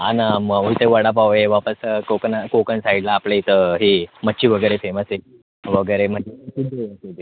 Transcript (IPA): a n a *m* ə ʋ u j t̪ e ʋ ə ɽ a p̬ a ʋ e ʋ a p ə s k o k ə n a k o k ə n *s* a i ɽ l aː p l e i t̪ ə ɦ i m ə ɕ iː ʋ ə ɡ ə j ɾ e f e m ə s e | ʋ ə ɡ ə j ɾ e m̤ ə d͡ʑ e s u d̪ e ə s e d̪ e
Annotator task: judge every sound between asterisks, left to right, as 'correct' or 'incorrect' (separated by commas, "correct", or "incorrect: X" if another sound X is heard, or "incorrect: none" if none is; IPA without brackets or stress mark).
correct, correct